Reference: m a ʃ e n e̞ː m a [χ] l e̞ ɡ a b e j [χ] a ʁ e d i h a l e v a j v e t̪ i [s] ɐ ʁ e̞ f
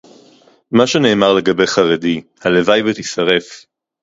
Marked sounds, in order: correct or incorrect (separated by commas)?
incorrect, correct, correct